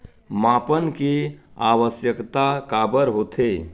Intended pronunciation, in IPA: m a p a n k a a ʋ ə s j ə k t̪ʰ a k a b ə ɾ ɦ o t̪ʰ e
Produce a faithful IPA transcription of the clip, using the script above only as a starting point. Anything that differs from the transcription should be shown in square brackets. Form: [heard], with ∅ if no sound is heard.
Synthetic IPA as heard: m a p [ə] n k [e] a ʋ ə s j ə k [t̪] a k a b ə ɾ ɦ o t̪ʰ e